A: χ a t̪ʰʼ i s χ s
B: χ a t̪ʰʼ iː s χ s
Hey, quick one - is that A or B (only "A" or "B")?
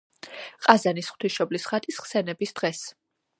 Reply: A